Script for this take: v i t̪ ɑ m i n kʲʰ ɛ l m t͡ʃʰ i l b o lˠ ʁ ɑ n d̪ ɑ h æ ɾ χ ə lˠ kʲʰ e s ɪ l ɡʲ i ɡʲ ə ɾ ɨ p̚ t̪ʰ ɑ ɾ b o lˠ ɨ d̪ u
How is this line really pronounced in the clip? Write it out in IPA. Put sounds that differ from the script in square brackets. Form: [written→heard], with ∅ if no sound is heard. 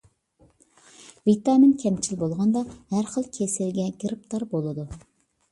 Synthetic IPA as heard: v i t̪ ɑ m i n kʲʰ ɛ [l→∅] m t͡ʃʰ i l b o lˠ ʁ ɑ n d̪ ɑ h æ ɾ χ ə lˠ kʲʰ e s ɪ l ɡʲ [i→ɛ] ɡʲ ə ɾ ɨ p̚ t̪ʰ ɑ ɾ b o lˠ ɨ d̪ u